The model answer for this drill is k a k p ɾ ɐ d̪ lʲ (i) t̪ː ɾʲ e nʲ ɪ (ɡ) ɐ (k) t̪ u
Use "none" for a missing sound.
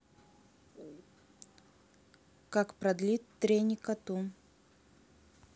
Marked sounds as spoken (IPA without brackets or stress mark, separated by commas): i, k, none